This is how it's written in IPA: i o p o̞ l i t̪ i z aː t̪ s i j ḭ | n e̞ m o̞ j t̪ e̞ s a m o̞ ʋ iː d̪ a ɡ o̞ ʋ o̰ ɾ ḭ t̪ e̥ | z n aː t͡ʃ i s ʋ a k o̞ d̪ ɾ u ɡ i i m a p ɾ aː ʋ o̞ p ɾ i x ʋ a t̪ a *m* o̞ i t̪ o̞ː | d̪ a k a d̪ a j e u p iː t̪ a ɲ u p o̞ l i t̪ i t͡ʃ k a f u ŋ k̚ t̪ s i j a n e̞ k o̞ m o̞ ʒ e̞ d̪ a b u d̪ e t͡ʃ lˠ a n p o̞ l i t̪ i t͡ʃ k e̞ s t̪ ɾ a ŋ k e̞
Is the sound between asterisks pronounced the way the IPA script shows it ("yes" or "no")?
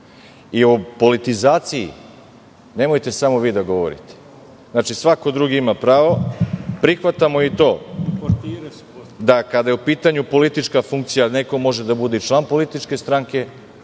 yes